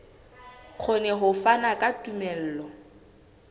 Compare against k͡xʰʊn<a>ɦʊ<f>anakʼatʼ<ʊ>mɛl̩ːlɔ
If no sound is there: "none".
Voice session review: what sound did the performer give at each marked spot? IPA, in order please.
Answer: ɛ, f, u

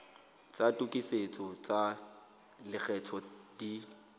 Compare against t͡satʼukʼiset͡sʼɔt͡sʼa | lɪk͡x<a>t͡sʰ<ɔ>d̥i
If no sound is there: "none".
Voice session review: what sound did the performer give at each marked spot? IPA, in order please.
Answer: ɛ, ɔ

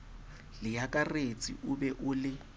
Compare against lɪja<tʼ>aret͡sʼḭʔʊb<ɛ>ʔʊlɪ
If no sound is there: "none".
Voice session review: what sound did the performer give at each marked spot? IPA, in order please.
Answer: kʼ, ɛ

